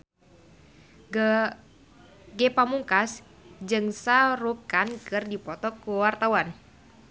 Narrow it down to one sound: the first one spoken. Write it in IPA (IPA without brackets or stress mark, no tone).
ɡ